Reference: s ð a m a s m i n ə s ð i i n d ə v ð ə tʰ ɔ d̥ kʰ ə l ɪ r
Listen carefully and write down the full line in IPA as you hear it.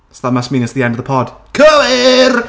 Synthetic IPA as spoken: s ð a m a s m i n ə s ð i ɛ n d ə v ð ə pʰ ɔ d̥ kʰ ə l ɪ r